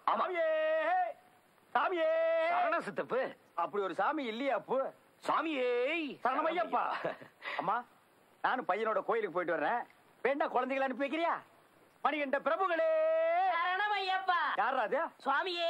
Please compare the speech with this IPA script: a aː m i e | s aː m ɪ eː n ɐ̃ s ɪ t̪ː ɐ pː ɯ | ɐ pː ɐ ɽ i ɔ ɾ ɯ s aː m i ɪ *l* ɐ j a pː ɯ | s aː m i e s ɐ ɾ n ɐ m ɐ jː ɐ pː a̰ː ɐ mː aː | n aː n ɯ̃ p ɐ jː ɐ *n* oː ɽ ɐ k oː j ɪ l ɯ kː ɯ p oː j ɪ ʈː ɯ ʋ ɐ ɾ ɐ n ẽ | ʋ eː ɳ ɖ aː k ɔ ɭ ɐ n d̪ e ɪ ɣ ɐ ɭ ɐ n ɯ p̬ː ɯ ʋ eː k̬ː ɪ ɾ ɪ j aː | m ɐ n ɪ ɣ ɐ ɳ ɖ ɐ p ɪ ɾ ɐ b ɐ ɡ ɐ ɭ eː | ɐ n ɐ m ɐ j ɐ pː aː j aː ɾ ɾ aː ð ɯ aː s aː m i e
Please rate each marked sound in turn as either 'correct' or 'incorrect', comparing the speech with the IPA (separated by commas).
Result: incorrect, correct